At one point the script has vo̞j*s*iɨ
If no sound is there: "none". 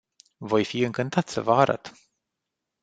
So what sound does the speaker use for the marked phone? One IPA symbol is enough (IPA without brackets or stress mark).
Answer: f